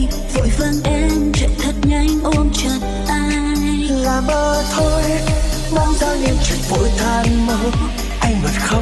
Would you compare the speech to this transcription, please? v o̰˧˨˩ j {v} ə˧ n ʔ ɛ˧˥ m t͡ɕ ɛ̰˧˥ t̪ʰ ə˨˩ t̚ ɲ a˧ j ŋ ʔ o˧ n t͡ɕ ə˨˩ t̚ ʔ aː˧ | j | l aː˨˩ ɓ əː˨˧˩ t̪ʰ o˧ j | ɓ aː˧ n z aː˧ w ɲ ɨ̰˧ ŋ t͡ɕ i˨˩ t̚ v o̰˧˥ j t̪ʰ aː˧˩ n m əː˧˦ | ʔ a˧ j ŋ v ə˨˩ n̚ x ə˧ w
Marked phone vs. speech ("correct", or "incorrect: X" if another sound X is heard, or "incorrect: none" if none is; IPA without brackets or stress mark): correct